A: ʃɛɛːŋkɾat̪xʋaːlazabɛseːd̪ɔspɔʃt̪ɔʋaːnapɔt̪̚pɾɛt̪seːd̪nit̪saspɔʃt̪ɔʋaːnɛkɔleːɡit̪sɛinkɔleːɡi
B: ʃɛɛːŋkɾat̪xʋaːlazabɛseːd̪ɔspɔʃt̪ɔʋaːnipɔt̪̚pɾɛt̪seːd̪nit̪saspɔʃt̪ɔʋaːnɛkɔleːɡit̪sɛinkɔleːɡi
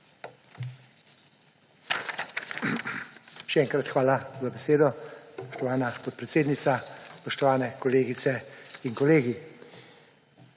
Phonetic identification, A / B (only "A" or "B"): A